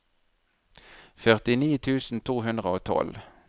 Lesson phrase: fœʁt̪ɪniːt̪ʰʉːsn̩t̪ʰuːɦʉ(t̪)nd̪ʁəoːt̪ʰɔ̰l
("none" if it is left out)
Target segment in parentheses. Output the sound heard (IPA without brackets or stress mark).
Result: none